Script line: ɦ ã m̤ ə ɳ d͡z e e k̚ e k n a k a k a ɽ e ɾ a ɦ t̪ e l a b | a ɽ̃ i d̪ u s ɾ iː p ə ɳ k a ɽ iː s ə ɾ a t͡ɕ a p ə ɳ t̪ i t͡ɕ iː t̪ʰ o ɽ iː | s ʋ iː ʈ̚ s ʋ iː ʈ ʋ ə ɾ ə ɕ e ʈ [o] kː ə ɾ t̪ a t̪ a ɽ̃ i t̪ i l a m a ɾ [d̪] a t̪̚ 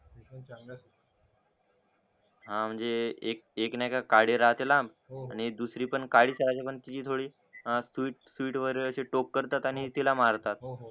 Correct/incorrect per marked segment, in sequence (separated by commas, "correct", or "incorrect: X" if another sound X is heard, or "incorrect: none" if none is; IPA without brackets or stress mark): correct, incorrect: t̪